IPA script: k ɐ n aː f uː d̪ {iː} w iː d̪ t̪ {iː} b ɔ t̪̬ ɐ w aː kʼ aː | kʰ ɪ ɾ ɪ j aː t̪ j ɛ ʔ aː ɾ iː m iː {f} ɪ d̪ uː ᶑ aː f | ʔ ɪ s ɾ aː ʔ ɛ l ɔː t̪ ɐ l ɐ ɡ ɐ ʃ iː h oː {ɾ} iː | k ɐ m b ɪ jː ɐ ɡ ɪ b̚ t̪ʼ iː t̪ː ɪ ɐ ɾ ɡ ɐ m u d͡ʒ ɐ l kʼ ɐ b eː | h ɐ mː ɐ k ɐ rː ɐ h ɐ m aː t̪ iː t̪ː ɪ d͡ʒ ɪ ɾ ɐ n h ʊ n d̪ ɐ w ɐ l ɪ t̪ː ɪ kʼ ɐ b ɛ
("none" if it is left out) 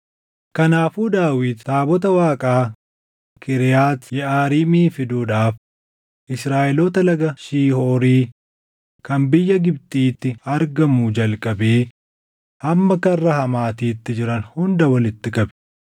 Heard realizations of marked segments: aː, aː, f, ɾ

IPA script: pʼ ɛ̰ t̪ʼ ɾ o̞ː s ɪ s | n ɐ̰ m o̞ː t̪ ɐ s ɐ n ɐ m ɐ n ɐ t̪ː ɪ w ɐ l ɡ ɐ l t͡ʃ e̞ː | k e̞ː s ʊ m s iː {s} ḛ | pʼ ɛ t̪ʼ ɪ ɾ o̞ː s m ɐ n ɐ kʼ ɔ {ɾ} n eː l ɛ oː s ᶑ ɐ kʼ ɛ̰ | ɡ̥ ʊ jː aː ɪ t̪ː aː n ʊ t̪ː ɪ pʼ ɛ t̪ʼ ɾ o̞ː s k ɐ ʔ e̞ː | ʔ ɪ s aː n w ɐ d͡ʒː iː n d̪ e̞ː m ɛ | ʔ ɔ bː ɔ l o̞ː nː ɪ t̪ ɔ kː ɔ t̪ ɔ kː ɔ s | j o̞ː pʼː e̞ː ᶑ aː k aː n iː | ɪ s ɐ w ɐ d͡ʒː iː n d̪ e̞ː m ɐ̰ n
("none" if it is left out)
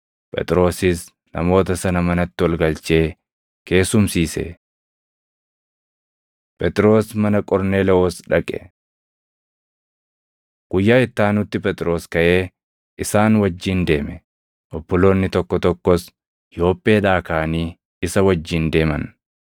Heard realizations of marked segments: s, ɾ

